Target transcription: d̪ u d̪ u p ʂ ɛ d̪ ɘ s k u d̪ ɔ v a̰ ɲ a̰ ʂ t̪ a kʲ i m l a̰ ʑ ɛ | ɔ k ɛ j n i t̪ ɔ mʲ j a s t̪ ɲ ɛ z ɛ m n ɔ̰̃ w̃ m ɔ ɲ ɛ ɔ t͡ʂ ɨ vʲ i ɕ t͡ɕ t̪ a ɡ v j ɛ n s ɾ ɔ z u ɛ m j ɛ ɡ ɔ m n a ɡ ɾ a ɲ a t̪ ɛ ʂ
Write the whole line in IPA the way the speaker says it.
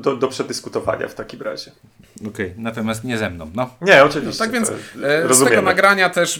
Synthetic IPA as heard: d̪ ɔ d̪ ɔ p ʂ ɛ d̪ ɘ s k u t̪ ɔ v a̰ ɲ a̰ f t̪ a kʲ i m ɾ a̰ ʑ ɛ | ɔ k ɛ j n a t̪ ɔ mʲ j a s t̪ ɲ ɛ z ɛ m n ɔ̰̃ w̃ n ɔ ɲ ɛ ɔ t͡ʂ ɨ vʲ i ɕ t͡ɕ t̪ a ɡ v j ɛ n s ɾ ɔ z u ɛ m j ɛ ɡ ɔ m n a ɡ ɾ a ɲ a t̪ ɛ ʂ